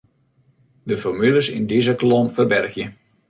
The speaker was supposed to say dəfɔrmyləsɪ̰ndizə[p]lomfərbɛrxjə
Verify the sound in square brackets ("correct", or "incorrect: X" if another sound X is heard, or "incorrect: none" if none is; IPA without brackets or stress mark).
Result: incorrect: k